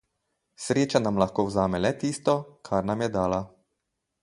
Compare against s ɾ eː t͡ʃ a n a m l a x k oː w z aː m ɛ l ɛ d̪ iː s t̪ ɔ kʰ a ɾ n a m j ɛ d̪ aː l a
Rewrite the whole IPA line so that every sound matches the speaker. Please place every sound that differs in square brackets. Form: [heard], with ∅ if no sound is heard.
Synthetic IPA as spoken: s ɾ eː t͡ʃ a n a m l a x k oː w z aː m ɛ l ɛ [t̪] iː s t̪ ɔ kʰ a ɾ n a m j ɛ d̪ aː l a